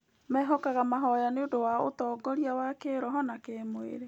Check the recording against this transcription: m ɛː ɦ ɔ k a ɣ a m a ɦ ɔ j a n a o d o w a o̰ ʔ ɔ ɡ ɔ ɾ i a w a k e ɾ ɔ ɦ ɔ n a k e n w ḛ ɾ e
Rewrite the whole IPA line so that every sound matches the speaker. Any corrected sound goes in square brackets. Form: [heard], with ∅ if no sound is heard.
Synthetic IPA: m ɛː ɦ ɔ k a ɣ a m a ɦ ɔ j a n [e] o d o w a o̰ [t] ɔ ɡ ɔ ɾ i a w a k e ɾ ɔ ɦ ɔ n a k e [m] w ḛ ɾ e